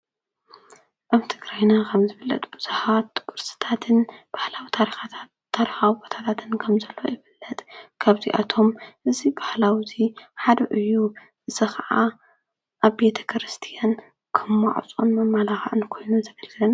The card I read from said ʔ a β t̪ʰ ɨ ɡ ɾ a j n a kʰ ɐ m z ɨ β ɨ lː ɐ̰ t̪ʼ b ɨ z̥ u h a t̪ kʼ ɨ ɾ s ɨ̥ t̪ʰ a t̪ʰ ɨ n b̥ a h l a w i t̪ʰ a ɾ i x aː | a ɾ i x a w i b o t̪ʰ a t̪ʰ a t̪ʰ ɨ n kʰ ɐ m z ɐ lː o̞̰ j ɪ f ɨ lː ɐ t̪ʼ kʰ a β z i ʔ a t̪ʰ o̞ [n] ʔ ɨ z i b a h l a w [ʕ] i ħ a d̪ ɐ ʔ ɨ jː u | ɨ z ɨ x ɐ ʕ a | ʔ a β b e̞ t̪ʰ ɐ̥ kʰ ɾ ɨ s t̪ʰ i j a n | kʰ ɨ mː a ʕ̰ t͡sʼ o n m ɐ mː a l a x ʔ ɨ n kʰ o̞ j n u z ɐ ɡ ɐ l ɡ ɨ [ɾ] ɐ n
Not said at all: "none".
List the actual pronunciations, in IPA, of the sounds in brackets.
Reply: m, z, l

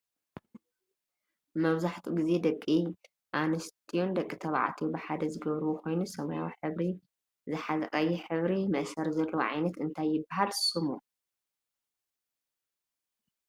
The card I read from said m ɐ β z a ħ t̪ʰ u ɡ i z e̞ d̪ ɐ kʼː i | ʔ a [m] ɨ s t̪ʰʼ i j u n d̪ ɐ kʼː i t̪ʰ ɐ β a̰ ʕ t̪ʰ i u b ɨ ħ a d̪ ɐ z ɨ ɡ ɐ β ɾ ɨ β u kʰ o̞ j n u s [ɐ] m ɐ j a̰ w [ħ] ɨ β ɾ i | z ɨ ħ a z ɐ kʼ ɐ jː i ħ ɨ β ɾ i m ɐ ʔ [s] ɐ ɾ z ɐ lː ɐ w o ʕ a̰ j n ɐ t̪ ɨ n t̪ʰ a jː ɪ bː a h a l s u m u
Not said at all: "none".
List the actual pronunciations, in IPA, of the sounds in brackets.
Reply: n, ɐ, ħ, s

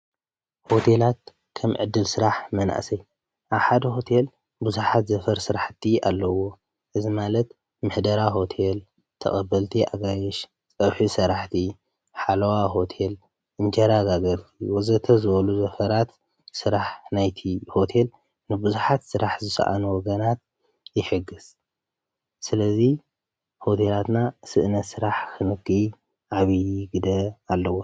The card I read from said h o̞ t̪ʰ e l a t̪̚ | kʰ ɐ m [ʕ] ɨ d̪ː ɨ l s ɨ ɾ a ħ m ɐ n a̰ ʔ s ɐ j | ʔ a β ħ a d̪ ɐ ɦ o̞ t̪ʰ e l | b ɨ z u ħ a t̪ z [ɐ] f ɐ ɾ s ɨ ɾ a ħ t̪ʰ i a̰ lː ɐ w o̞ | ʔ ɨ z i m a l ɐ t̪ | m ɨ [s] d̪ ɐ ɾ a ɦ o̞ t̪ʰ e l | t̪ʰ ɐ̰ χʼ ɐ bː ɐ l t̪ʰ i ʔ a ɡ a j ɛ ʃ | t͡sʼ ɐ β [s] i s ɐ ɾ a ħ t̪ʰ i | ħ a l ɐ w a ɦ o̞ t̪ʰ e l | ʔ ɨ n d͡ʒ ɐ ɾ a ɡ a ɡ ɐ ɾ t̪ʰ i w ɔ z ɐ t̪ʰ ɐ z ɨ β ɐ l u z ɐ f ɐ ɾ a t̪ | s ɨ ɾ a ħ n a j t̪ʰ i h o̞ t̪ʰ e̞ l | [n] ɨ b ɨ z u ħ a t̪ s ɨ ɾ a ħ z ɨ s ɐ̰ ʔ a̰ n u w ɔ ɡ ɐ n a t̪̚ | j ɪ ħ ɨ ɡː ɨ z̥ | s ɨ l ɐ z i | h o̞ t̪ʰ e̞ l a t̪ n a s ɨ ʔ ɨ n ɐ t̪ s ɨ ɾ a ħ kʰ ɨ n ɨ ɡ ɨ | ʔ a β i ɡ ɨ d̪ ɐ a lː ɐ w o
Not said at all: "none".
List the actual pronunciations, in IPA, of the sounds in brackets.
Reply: ʕ, ɐ, ħ, ħ, n

